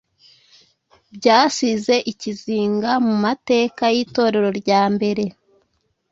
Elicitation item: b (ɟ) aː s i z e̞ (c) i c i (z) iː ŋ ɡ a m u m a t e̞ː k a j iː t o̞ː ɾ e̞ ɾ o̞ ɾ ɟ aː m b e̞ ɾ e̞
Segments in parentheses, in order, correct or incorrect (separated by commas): correct, incorrect, correct